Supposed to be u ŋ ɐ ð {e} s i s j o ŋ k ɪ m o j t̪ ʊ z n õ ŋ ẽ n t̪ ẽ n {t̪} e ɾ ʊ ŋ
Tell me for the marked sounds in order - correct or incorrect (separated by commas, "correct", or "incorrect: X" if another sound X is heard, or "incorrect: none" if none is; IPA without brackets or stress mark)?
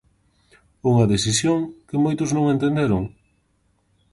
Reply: correct, incorrect: d̪